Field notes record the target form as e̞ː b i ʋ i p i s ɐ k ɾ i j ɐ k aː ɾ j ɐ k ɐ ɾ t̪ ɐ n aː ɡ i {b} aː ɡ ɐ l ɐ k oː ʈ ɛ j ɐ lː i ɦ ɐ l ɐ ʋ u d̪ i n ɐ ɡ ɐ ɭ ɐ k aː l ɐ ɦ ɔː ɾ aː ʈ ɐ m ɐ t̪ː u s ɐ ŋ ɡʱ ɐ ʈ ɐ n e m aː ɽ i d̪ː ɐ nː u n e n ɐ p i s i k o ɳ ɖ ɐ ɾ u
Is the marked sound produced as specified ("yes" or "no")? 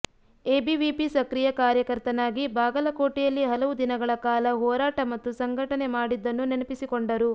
yes